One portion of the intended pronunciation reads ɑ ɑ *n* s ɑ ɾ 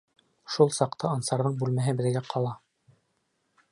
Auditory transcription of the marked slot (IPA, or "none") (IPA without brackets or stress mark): n